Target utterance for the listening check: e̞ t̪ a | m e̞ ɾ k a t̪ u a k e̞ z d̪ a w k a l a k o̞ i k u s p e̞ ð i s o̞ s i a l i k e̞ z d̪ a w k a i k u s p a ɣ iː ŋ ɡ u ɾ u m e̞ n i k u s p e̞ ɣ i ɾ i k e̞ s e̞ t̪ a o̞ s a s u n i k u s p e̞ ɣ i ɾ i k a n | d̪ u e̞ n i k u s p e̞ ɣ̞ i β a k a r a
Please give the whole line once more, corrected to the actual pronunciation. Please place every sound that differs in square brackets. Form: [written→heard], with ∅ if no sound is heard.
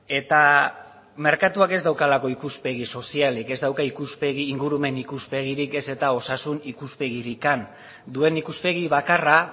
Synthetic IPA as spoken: e̞ t̪ a | m e̞ ɾ k a t̪ u a k e̞ z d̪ a w k a l a k o̞ i k u s p e̞ [ð→ɣ] i s o̞ s i a l i k e̞ z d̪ a w k a i k u s p [a→e] ɣ iː ŋ ɡ u ɾ u m e̞ n i k u s p e̞ ɣ i ɾ i k e̞ s e̞ t̪ a o̞ s a s u n i k u s p e̞ ɣ i ɾ i k a n | d̪ u e̞ n i k u s p e̞ ɣ̞ i β a k a r a